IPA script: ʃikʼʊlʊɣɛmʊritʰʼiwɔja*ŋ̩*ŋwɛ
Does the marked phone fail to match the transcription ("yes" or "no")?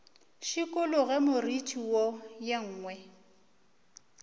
yes